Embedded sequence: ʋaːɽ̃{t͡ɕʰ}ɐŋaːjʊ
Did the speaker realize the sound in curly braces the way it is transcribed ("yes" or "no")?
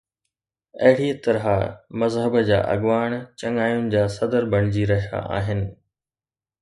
no